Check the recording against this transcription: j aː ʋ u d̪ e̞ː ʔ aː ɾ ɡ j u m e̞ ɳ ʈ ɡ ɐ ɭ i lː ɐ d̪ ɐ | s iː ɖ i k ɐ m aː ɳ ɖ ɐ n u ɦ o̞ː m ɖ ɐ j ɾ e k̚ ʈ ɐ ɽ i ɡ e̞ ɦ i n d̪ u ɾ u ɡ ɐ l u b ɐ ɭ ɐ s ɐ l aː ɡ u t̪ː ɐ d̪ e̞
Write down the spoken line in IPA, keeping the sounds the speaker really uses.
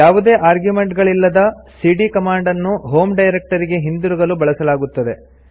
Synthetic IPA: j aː ʋ u d̪ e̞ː ʔ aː ɾ ɡ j u m e̞ ɳ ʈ ɡ ɐ ɭ i lː ɐ d̪ ɐ | s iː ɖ i k ɐ m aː ɳ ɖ ɐ nː u ɦ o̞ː m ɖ ɐ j ɾ e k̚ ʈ ɐ ɾ i ɡ e̞ ɦ i n d̪ u ɾ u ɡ ɐ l u b ɐ ɭ ɐ s ɐ l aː ɡ u t̪ː ɐ d̪ e̞